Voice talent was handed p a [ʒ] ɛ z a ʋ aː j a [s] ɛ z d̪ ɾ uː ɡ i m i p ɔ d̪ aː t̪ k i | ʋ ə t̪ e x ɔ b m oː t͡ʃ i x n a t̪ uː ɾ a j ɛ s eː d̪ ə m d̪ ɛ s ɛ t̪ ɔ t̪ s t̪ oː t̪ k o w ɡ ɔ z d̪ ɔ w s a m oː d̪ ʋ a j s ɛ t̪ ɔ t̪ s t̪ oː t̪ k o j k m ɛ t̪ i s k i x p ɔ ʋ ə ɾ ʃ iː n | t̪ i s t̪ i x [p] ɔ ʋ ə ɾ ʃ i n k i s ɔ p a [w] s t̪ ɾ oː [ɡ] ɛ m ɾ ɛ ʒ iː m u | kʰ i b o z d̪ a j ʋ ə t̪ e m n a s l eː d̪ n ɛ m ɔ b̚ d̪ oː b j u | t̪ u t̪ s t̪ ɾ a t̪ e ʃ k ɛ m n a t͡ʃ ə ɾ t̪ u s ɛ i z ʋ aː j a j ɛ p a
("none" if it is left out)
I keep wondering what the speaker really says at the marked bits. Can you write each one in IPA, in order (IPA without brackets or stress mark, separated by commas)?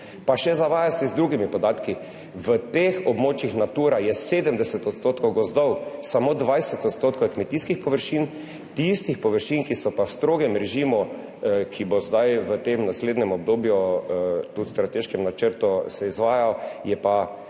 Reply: ʃ, s, p, w, ɡ